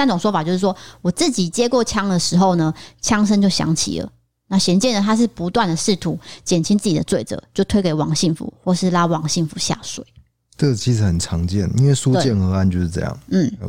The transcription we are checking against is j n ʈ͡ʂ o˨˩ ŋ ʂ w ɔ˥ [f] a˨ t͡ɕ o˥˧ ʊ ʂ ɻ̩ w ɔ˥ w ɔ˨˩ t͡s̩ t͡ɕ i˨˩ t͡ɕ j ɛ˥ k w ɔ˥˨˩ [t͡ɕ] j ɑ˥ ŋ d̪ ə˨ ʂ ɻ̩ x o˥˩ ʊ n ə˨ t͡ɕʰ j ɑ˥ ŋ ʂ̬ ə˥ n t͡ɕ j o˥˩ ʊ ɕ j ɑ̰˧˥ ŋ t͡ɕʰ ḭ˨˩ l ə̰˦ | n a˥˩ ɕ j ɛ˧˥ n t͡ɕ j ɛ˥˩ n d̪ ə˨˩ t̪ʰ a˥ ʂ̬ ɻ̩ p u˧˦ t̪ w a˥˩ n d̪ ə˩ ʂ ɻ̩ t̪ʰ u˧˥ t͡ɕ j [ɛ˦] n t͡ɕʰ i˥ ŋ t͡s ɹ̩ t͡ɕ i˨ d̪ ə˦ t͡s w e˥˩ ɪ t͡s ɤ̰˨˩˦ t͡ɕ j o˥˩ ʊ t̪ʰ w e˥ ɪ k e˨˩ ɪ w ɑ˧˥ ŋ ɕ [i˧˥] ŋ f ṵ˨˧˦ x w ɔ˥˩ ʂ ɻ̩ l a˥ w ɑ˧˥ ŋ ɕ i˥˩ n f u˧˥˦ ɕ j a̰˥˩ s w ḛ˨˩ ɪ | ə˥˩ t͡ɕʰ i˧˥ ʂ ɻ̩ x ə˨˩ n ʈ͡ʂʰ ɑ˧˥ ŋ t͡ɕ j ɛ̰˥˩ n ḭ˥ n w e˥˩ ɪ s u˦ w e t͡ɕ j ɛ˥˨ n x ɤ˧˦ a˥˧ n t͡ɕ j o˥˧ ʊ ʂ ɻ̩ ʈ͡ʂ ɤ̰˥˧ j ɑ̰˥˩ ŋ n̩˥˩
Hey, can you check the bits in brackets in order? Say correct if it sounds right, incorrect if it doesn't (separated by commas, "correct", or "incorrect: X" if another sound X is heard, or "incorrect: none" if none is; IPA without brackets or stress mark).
correct, incorrect: t͡ɕʰ, incorrect: ɛ˨˩, incorrect: i˥˩